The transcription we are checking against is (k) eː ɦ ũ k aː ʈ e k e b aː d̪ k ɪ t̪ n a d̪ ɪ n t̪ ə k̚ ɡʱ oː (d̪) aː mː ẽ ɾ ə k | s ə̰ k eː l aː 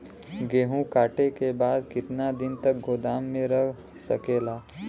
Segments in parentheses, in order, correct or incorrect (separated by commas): incorrect, correct